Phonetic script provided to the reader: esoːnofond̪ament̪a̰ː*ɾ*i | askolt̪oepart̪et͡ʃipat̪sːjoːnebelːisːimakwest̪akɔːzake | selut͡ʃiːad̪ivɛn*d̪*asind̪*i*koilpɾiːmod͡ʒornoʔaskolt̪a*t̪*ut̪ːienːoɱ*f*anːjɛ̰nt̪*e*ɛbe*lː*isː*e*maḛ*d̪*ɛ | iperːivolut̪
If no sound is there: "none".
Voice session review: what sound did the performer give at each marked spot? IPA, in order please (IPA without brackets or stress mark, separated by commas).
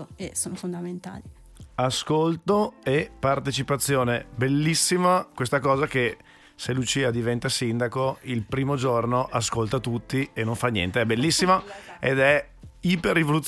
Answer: l, t̪, a, t̪, f, e, lː, i, d̪